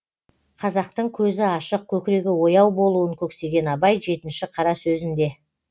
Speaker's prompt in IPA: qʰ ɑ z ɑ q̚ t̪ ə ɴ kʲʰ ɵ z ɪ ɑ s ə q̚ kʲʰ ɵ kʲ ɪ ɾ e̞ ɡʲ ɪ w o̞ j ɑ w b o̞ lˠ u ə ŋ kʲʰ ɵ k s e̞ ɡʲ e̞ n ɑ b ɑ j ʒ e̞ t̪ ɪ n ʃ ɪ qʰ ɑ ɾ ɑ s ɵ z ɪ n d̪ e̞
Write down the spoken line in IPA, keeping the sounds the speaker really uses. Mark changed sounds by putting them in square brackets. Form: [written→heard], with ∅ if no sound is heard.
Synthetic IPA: qʰ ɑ z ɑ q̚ t̪ ə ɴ kʲʰ ɵ z ɪ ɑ [s→ʃ] ə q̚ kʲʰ ɵ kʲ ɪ ɾ e̞ ɡʲ ɪ w o̞ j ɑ w b o̞ lˠ u ə ŋ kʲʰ ɵ k s e̞ ɡʲ e̞ n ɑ b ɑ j ʒ e̞ t̪ ɪ n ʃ ɪ qʰ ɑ ɾ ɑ s ɵ z ɪ n d̪ e̞